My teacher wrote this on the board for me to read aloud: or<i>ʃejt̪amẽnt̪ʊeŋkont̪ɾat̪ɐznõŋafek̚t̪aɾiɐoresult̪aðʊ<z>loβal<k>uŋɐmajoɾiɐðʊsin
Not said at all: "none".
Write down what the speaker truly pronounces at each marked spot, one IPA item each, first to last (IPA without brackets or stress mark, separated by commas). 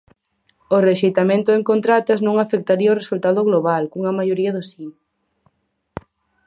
e, ɣ, k